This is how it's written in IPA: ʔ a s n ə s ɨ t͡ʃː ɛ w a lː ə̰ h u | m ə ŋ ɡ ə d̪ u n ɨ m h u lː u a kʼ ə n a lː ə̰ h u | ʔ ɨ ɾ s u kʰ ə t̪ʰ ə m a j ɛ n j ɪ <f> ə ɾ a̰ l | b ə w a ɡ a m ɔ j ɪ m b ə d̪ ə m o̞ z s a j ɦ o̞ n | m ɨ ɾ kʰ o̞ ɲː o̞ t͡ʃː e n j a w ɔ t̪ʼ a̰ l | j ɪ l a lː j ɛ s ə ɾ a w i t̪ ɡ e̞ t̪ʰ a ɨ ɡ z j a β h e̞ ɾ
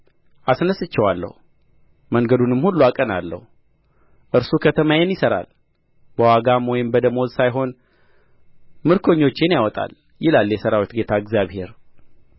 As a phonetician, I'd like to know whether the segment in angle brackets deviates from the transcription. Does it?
yes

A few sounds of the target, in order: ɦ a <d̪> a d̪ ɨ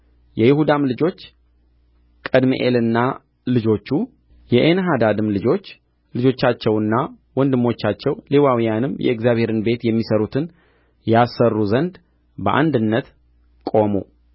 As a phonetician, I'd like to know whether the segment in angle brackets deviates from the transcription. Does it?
no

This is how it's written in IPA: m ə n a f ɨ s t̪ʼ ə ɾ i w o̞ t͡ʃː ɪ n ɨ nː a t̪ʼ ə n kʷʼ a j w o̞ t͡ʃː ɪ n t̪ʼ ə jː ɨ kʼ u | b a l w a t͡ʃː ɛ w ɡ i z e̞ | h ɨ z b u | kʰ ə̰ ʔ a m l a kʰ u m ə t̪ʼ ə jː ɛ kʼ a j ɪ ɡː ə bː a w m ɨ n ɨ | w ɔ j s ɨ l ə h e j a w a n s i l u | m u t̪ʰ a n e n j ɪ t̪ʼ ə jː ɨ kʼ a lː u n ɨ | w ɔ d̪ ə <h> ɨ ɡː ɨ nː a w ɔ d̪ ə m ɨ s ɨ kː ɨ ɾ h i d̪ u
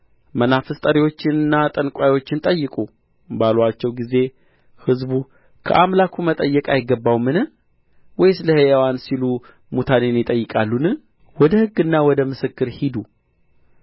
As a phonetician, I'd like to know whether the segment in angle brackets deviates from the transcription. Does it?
no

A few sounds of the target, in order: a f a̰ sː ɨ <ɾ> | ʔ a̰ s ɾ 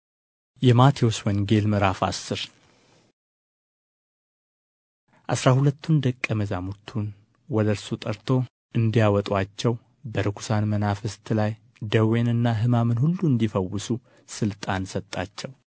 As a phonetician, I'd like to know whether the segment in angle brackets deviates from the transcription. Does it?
no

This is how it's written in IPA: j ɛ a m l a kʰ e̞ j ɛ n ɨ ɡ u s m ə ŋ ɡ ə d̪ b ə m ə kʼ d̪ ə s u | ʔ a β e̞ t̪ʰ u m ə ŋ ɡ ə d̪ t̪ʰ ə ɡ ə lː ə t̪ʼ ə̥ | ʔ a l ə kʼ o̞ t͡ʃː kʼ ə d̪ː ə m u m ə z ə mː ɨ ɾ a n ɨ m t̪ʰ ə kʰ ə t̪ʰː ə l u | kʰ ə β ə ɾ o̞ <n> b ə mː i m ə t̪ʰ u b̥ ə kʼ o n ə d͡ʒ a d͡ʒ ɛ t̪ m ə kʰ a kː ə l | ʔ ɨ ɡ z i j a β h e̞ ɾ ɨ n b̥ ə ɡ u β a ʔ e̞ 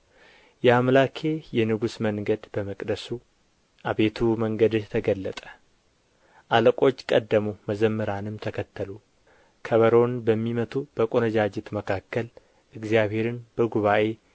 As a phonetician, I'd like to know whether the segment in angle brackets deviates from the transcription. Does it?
no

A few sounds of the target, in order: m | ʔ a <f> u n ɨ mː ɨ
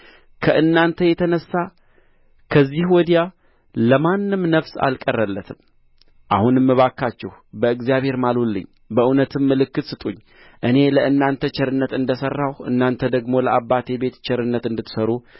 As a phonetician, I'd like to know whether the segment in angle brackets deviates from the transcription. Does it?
yes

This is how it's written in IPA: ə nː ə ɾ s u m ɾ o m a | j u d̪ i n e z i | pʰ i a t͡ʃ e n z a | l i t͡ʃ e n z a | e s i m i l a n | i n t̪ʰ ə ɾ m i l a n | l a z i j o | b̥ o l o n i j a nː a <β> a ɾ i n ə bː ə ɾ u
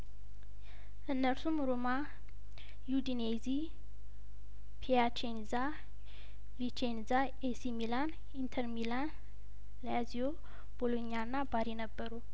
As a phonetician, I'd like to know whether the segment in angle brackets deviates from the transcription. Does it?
yes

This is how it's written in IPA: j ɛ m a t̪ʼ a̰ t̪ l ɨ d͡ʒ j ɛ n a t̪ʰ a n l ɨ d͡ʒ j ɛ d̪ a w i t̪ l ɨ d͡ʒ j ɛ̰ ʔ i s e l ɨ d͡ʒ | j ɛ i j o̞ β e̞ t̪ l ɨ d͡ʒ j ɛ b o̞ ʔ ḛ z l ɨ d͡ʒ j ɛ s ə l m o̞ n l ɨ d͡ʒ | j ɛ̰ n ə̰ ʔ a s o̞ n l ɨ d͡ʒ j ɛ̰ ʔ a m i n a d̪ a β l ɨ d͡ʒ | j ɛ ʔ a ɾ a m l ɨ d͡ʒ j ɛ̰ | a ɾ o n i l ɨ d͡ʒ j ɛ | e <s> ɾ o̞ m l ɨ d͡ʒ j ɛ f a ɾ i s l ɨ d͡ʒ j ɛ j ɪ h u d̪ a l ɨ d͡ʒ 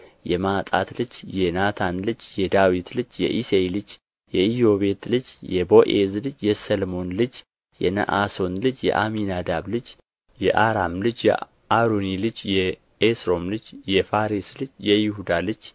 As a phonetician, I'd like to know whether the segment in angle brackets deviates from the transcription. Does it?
no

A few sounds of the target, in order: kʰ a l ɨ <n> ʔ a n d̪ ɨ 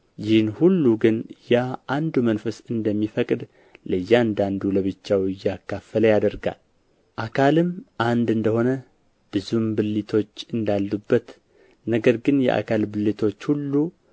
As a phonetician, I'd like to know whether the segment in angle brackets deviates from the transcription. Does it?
yes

